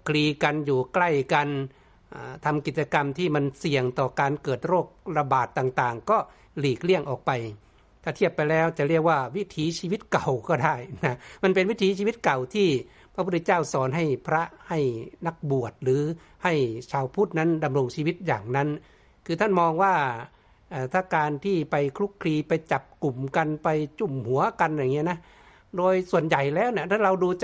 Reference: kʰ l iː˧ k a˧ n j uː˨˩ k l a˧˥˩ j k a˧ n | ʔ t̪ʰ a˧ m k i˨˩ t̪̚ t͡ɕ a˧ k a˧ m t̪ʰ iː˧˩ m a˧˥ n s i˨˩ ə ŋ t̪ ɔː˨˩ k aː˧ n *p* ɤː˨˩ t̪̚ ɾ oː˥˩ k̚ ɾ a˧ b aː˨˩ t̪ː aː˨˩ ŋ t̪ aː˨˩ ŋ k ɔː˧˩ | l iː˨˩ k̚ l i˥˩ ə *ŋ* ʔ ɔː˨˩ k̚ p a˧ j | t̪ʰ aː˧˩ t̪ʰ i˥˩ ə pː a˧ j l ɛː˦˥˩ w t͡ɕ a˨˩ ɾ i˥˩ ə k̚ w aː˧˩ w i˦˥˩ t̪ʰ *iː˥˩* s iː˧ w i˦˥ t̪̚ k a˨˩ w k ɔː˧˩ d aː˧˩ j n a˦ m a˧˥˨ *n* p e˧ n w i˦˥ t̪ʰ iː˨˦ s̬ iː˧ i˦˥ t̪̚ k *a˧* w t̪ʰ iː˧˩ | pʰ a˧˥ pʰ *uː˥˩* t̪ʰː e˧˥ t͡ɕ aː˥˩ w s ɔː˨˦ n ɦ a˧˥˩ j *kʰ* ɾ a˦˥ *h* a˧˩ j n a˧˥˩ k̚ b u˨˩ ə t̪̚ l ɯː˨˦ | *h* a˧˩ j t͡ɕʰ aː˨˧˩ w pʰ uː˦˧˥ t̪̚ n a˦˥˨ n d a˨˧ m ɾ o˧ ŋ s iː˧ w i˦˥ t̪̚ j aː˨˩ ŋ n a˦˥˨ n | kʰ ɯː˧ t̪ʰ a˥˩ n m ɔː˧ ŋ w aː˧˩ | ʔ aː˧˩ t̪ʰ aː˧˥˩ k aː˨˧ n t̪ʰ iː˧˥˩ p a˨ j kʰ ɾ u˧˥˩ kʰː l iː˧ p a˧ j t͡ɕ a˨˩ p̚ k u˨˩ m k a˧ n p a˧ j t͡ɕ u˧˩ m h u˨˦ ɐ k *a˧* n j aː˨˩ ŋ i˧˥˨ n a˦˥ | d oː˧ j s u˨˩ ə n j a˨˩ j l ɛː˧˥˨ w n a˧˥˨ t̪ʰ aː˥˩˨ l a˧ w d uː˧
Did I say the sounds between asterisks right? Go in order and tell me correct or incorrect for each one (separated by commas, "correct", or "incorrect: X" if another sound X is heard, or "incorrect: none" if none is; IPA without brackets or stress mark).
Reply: incorrect: k, correct, incorrect: iː˨˦, correct, incorrect: a˨˩, incorrect: u˥˩, incorrect: pʰ, correct, correct, correct